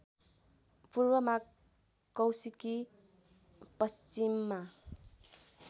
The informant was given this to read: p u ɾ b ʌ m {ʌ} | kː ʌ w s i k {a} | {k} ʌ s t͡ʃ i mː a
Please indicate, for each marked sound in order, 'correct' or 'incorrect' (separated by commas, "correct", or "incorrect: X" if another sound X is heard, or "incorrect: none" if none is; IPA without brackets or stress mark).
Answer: incorrect: a, incorrect: i, incorrect: p